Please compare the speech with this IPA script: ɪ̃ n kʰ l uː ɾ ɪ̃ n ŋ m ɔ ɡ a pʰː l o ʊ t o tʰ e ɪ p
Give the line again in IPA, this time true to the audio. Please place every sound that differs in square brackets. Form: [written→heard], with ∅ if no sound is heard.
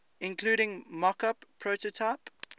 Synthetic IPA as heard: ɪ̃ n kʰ l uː ɾ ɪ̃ [n→∅] ŋ m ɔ [ɡ→k] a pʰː [l→ɹ] o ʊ t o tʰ [e→a] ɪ p